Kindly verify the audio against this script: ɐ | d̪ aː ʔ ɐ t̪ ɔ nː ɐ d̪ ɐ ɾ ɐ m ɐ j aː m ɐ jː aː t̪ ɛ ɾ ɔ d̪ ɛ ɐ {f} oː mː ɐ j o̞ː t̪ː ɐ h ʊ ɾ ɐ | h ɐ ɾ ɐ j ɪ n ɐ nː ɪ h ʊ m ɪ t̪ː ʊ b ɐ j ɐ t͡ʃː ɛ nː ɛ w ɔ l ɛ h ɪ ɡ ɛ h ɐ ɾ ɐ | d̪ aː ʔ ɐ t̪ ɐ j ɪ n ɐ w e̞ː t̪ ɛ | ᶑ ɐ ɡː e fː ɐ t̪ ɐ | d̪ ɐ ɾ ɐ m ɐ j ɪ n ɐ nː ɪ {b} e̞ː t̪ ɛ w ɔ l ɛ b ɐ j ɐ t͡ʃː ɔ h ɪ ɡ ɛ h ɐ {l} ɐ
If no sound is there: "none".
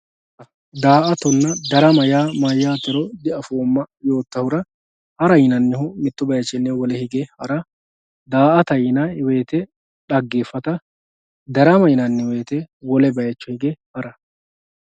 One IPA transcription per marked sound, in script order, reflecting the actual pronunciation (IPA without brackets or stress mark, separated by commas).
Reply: f, w, ɾ